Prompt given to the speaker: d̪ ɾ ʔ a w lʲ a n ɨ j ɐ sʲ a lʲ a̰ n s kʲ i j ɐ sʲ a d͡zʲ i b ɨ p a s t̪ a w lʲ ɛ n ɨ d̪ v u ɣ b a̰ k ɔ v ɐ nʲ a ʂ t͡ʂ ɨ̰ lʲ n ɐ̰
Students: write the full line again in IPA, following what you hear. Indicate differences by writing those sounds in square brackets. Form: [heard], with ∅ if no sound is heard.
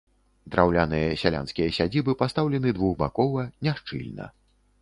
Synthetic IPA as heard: d̪ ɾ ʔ a w lʲ a n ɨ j ɐ sʲ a lʲ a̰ n s kʲ i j ɐ sʲ a d͡zʲ i b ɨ p a s t̪ a w lʲ ɛ n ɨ d̪ v u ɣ b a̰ k ɔ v ɐ nʲ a ʂ t͡ʂ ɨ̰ lʲ n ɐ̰